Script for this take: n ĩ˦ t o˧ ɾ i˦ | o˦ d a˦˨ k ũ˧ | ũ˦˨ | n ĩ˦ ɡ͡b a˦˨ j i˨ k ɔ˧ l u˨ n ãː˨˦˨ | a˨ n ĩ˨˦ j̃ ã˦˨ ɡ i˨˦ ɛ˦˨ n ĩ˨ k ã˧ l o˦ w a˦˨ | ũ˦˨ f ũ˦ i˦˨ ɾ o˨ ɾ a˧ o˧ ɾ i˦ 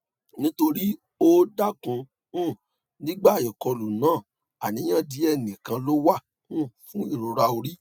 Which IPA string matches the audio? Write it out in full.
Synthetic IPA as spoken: n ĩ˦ t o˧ ɾ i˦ | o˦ d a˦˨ k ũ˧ | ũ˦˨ | n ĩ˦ ɡ͡b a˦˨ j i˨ k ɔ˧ l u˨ n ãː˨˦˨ | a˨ n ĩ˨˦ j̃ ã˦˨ d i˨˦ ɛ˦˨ n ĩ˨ k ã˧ l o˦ w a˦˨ | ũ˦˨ f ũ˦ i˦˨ ɾ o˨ ɾ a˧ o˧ ɾ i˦

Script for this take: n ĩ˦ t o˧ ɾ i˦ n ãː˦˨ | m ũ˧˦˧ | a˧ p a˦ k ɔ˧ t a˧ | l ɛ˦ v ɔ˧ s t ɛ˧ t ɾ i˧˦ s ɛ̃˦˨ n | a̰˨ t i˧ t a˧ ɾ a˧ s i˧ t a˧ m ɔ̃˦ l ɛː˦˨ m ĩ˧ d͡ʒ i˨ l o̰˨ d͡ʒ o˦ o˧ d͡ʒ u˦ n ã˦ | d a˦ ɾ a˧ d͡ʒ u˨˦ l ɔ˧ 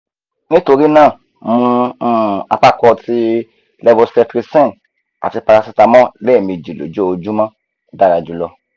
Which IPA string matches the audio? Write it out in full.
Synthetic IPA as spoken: n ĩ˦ t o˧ ɾ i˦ n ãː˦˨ | m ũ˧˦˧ | a˧ p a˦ k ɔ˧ t i˧ | l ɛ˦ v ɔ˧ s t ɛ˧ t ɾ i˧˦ s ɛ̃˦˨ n | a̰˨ t i˧ p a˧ ɾ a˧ s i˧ t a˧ m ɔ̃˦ l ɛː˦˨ m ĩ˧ d͡ʒ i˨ l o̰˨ d͡ʒ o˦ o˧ d͡ʒ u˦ m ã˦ | d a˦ ɾ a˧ d͡ʒ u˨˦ l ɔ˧

